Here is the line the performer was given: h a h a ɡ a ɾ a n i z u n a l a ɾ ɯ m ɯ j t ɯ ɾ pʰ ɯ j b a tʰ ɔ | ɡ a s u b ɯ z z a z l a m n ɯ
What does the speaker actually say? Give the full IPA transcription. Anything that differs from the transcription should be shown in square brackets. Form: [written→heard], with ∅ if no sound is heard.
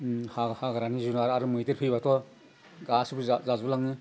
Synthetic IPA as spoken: h a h a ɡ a ɾ a n i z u n a [l→ɾ] a ɾ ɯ m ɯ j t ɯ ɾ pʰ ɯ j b a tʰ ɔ | ɡ a s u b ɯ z z a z l a [m→ŋ] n ɯ